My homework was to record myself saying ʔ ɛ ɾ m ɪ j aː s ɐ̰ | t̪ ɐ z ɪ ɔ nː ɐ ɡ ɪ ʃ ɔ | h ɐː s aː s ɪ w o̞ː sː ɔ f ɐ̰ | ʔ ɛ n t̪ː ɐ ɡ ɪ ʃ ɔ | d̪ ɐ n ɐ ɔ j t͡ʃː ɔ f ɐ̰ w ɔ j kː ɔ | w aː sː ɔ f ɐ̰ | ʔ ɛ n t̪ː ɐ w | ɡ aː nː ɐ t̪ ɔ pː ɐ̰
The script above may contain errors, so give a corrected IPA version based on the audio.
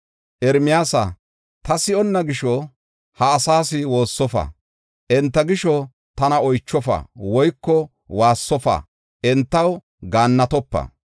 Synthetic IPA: ʔ ɛ ɾ m ɪ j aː s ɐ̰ | t̪ ɐ s ɪ ɔ nː ɐ ɡ ɪ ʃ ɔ | h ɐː s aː s ɪ w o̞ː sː ɔ f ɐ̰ | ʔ ɛ n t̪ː ɐ ɡ ɪ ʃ ɔ | t̪ ɐ n ɐ ɔ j t͡ʃː ɔ f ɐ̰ w ɔ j kː ɔ | w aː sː ɔ f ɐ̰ | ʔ ɛ n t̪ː ɐ w | ɡ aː nː ɐ t̪ ɔ pː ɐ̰